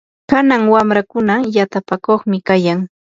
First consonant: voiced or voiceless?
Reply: voiceless